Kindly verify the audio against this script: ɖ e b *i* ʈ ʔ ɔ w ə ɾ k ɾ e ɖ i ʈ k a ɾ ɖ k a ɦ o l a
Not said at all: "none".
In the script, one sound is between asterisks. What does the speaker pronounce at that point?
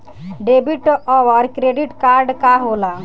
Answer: i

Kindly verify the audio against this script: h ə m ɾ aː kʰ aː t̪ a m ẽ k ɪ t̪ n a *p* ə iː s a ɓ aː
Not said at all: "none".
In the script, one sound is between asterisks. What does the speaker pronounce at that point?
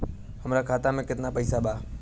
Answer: p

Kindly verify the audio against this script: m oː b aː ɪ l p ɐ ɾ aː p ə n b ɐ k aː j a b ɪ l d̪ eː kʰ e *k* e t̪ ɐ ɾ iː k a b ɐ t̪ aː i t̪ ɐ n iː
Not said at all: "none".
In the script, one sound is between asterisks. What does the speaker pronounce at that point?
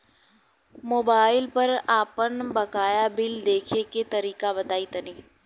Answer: k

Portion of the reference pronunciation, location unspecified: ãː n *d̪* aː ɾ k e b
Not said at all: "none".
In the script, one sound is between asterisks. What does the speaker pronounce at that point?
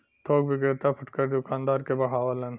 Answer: d̪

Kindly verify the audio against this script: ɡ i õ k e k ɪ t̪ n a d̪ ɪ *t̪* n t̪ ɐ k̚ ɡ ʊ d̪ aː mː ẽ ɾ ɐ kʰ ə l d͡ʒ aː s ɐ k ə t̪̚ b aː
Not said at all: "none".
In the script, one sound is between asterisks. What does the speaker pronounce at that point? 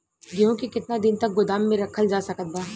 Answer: none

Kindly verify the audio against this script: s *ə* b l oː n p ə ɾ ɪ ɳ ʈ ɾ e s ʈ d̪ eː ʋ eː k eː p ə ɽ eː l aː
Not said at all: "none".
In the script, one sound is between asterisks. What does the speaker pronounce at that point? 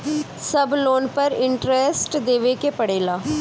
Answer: ə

